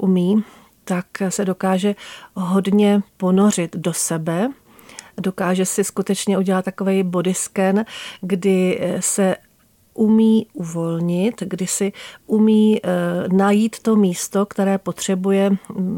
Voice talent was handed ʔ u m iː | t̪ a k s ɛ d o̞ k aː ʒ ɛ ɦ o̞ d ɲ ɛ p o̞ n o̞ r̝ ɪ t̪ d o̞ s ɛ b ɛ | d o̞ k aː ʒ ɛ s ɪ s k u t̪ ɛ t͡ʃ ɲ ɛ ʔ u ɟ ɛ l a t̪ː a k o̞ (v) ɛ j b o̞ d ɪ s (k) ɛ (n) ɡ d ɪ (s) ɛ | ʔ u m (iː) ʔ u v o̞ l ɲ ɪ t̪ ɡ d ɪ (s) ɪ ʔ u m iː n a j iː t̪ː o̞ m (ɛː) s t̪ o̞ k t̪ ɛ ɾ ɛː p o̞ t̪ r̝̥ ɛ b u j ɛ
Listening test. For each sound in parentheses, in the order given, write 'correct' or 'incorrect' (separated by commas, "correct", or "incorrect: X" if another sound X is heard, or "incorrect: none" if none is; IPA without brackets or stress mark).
correct, correct, correct, correct, correct, correct, incorrect: iː